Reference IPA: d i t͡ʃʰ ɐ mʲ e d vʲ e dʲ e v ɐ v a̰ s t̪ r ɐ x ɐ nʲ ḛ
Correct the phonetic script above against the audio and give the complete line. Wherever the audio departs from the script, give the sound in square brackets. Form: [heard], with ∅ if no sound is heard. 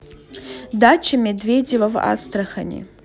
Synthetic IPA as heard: d [a] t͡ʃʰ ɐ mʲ e d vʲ e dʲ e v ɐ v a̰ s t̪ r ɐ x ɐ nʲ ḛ